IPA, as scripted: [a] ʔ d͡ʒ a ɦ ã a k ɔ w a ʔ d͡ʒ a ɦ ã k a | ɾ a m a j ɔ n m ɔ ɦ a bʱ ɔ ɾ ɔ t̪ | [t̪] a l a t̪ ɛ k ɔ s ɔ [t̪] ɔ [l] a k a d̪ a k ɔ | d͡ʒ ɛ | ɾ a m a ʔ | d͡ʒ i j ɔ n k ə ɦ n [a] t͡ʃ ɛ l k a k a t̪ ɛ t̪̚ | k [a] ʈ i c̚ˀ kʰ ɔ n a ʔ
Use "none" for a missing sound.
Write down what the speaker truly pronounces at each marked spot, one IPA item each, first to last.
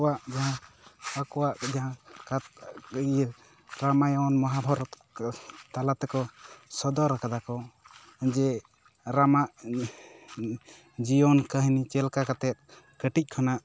a, t̪, d̪, ɾ, i, ə

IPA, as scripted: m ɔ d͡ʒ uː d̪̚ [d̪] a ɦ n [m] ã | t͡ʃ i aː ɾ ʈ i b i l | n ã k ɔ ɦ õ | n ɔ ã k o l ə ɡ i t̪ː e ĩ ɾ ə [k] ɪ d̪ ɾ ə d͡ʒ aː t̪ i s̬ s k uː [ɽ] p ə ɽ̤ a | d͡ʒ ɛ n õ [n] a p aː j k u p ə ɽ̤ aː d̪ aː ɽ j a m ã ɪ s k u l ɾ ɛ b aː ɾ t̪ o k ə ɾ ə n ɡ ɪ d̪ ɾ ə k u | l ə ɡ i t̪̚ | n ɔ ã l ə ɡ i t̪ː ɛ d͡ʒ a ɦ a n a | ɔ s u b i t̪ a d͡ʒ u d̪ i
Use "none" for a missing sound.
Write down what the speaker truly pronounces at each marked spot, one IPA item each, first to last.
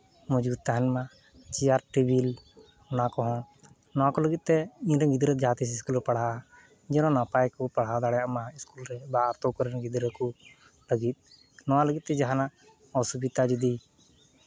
t̪, m, ɡ, l, n

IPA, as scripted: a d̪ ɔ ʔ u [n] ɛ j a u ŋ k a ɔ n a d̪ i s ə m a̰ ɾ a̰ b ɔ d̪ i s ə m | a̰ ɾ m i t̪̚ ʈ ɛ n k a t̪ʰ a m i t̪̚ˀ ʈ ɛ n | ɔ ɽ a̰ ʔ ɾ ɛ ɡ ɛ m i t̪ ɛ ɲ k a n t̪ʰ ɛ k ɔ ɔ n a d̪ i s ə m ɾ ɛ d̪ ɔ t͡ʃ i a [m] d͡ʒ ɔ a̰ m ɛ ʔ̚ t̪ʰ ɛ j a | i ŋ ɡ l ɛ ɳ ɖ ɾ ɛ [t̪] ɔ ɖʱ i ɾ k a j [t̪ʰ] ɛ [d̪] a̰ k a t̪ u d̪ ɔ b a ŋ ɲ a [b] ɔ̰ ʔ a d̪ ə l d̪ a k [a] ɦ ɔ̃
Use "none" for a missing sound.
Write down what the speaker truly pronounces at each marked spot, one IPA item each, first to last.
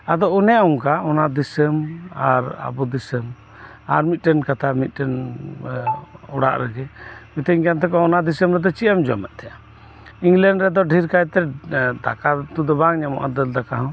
n, m, d̪, t̪, d̪, m, a

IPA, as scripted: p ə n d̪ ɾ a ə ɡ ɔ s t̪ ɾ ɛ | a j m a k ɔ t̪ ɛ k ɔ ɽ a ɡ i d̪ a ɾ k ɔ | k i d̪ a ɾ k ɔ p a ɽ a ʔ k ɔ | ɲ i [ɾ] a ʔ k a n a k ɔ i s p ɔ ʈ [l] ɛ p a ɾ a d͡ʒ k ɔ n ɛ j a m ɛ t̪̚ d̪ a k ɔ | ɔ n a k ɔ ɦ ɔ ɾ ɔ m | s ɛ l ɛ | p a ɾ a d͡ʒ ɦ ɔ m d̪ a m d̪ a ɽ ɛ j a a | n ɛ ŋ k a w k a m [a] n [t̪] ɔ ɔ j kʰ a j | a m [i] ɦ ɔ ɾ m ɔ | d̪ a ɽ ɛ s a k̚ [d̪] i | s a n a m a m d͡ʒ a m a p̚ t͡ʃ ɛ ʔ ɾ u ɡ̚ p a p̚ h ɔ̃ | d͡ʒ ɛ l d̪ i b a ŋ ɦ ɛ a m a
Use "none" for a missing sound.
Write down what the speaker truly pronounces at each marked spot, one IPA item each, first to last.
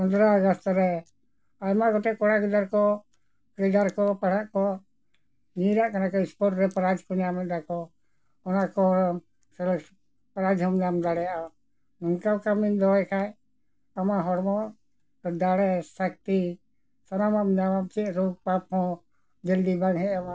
ɾ, ɾ, i, d̪, a, t̪

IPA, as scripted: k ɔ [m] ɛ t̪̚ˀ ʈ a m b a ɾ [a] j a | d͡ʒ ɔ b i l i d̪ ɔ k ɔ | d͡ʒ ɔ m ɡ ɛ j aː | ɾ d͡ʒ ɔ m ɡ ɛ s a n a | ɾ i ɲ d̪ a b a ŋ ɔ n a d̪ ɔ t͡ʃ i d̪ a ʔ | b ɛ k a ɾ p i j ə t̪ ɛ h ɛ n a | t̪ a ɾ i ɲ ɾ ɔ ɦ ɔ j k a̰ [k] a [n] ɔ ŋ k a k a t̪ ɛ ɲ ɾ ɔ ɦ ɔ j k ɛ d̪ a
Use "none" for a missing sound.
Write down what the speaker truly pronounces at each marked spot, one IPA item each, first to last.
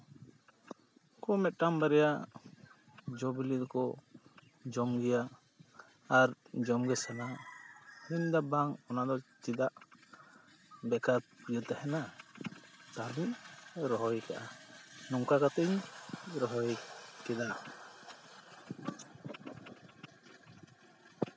m, ɛ, ʔ, n

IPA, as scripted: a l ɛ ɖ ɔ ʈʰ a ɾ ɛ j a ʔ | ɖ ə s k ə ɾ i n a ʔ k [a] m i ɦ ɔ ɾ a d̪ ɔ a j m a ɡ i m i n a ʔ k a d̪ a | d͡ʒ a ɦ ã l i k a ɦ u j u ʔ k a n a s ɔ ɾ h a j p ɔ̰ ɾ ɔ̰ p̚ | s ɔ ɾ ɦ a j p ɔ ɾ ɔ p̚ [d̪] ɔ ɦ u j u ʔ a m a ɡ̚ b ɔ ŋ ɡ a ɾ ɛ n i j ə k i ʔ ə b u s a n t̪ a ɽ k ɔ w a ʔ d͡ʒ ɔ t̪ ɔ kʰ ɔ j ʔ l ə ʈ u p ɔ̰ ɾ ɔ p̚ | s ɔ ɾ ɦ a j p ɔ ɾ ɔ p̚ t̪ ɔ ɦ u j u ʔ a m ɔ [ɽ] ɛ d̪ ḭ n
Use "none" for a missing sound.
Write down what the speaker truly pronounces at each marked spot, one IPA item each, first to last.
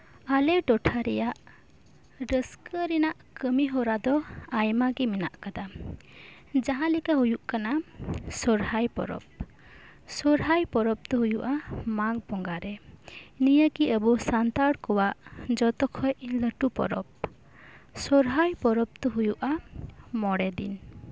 ə, t̪, ɽ

